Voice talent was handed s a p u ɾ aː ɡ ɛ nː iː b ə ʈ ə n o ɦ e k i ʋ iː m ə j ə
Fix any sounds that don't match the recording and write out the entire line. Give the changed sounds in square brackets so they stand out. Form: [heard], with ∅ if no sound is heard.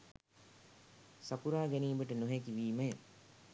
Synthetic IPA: s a p u ɾ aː ɡ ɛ [n] iː b ə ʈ ə n o ɦ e k i ʋ iː m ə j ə